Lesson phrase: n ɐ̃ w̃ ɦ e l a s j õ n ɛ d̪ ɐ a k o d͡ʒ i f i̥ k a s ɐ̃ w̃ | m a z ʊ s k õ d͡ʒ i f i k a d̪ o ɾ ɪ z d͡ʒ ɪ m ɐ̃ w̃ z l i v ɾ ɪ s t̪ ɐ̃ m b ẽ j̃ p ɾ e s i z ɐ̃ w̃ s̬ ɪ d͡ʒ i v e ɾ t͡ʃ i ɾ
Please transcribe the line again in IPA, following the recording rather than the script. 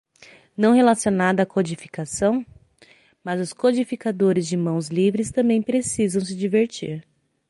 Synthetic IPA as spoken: n ɐ̃ w̃ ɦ e l a s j o n a d̪ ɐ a k o d͡ʒ i f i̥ k a s ɐ̃ w̃ | m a z ʊ s k o d͡ʒ i f i k a d̪ o ɾ ɪ z d͡ʒ ɪ m ɐ̃ w̃ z l i v ɾ ɪ s t̪ ɐ̃ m b ẽ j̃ p ɾ e s i z ɐ̃ w̃ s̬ ɪ d͡ʒ i v e ɾ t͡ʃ i ɾ